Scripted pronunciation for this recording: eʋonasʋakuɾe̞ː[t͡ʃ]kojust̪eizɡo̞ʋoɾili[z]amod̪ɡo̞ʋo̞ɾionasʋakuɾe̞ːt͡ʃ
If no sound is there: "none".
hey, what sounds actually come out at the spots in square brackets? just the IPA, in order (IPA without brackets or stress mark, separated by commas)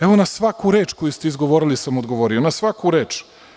t͡ʃ, s